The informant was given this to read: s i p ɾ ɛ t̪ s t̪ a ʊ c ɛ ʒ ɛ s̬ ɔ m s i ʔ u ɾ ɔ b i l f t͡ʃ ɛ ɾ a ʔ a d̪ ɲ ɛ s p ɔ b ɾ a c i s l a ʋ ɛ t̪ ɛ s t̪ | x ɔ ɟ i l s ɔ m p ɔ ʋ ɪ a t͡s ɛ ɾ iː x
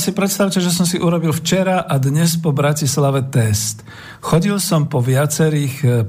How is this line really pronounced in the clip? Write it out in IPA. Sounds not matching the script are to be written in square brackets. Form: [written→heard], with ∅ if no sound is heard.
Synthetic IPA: s i p ɾ ɛ t̪ s t̪ a ʊ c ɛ ʒ ɛ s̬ ɔ m s i ʔ u ɾ ɔ b i l f t͡ʃ ɛ ɾ a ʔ a d̪ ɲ ɛ s p ɔ b ɾ a c i s l a ʋ ɛ t̪ ɛ s t̪ | x ɔ ɟ i l s ɔ m p ɔ ʋ ɪ a t͡s ɛ ɾ iː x